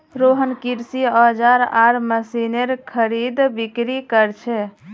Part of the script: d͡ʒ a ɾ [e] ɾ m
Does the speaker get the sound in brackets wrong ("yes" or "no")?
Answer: yes